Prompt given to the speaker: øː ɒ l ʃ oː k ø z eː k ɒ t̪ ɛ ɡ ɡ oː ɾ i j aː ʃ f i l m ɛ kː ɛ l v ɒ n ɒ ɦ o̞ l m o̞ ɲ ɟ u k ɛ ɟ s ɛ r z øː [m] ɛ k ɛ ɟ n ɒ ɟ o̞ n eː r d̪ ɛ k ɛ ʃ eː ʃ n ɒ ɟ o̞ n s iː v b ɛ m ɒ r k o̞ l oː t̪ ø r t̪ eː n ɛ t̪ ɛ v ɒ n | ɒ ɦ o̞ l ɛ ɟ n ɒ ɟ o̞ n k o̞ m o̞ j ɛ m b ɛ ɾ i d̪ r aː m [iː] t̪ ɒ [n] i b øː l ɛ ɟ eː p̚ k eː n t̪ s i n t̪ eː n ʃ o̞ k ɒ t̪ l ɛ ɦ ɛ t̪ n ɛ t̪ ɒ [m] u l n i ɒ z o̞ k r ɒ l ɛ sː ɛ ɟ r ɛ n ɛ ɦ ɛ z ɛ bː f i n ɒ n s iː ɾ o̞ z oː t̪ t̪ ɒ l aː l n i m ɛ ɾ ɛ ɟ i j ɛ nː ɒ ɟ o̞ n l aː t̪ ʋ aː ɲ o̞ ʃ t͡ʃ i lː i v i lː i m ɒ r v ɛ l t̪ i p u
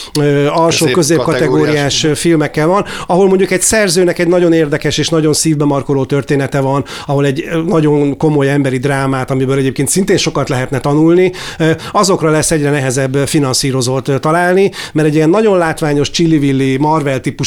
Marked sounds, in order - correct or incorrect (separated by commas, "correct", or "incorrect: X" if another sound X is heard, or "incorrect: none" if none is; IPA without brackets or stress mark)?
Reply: incorrect: n, incorrect: aː, incorrect: m, incorrect: n